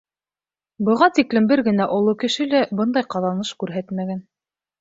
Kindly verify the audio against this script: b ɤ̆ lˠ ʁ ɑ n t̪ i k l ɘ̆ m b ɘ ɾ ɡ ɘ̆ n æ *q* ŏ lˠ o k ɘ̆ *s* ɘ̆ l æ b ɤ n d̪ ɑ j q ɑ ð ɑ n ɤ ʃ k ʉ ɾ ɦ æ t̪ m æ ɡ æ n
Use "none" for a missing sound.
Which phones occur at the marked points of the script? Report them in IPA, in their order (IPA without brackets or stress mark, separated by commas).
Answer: ʔ, ʃ